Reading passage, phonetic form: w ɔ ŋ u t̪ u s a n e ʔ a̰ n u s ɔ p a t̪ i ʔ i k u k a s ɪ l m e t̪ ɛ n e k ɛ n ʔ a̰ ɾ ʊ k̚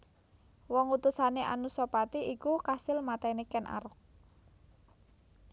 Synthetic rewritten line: w ɔ ŋ u t̪ u s a n e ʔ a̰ n u s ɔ p a t̪ i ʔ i k u k a s ɪ l m a t̪ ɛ n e k ɛ n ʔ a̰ ɾ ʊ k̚